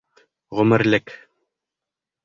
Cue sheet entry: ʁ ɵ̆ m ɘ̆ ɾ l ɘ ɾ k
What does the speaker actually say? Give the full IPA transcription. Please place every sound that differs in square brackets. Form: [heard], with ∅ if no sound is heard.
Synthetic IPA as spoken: ʁ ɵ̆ m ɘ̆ ɾ l ɘ [∅] k